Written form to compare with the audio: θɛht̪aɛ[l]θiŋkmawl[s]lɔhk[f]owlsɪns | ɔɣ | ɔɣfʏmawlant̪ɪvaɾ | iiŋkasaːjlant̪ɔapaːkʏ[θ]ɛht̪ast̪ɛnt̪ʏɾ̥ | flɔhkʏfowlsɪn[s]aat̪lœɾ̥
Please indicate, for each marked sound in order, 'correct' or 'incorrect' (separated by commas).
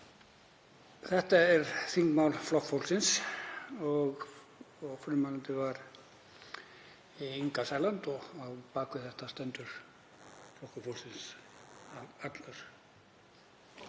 incorrect, incorrect, correct, correct, correct